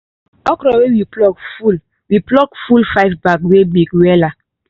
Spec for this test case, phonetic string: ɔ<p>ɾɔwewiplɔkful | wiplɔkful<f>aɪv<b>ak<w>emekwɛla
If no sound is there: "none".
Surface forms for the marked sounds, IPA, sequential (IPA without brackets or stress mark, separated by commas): k, f, b, w